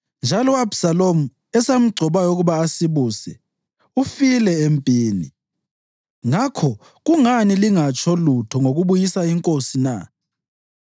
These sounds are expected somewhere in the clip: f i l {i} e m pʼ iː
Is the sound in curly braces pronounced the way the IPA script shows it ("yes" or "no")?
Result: no